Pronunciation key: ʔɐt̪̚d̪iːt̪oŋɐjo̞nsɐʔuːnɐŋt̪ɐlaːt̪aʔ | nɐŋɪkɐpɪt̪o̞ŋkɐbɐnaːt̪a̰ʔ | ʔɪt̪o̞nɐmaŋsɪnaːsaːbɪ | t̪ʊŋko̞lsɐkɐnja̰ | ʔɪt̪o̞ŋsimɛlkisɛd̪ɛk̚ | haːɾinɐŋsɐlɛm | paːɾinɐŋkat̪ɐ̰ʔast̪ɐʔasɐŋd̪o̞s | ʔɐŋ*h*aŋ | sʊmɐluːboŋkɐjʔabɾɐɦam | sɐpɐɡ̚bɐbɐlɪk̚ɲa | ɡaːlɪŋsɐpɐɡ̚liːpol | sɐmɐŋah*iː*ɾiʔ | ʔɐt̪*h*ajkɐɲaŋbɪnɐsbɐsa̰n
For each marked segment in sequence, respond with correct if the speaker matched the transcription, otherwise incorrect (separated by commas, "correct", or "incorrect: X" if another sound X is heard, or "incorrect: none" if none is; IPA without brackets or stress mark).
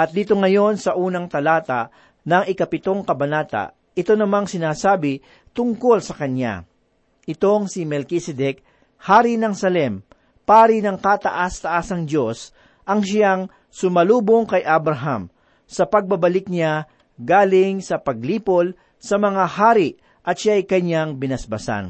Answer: incorrect: ʃ, incorrect: aː, incorrect: ʃ